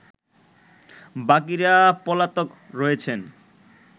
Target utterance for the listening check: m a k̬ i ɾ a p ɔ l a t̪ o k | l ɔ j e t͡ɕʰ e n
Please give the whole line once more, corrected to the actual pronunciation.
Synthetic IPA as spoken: b a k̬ i ɾ a p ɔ l a t̪ o k | ɾ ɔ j e t͡ɕʰ e n